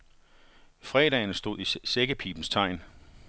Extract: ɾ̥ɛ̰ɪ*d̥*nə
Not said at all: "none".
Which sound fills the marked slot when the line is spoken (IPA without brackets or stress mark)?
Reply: none